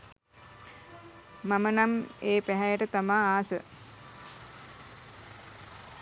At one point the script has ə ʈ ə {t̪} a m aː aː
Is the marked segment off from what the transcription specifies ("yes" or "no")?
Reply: no